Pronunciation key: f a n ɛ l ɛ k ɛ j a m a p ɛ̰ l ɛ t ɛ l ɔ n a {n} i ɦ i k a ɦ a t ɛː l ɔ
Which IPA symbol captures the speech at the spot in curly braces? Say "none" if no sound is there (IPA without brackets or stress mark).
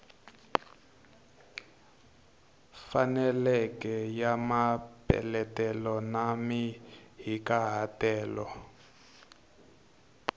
m